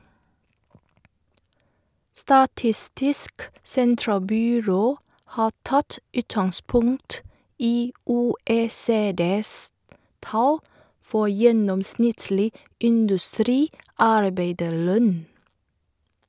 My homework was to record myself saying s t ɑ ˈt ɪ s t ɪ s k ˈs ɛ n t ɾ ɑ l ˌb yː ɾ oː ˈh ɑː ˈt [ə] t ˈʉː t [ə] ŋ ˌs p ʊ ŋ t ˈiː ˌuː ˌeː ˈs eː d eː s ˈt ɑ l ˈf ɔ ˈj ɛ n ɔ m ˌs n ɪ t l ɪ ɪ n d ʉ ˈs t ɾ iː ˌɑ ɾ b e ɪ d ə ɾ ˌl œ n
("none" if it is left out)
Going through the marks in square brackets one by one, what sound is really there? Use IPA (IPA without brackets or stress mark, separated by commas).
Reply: ɑ, ɑ